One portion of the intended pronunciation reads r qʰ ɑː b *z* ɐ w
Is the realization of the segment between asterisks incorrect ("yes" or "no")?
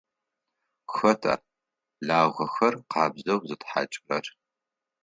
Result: no